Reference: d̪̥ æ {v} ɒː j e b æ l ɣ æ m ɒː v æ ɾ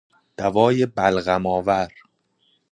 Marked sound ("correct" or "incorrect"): correct